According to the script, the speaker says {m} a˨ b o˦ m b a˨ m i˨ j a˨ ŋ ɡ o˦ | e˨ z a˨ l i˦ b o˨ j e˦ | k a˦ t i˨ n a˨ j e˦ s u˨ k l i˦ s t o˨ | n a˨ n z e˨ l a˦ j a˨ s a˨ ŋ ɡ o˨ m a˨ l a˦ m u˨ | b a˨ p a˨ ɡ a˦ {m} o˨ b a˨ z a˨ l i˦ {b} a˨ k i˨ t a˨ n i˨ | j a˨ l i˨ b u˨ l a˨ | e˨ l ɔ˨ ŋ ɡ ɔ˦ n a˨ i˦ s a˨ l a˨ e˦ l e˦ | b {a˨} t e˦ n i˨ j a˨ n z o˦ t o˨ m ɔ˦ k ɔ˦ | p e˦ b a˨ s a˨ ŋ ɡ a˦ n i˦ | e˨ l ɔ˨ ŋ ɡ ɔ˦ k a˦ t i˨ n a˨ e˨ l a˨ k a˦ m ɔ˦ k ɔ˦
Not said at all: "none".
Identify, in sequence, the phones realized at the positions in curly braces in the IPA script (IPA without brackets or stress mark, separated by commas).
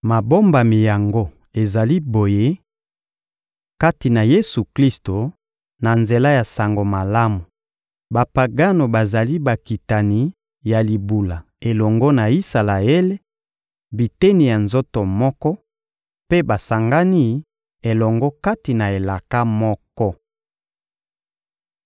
m, n, b, i˨